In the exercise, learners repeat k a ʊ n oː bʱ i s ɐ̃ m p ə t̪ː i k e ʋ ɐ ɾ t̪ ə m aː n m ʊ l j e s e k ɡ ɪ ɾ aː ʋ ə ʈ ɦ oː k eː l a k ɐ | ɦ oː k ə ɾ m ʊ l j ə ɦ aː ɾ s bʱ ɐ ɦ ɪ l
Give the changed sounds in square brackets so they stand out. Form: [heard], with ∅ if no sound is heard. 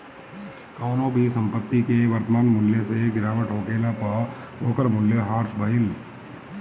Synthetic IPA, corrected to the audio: k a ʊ n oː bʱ i s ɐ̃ m p ə t̪ː i k e ʋ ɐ ɾ t̪ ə m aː n m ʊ l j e s e [∅] ɡ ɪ ɾ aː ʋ ə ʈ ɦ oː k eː l a [p] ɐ | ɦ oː k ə ɾ m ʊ l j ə ɦ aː ɾ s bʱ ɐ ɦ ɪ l